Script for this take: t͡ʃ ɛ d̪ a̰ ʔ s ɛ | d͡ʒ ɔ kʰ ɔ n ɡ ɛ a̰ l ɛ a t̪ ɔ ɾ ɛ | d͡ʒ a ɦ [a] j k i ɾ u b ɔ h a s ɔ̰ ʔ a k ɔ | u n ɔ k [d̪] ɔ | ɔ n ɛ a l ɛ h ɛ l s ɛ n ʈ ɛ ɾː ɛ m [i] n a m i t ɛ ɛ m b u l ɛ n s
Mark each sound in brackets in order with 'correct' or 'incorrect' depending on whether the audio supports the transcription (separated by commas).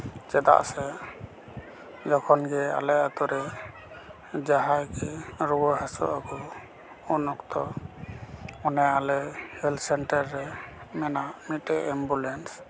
correct, incorrect, incorrect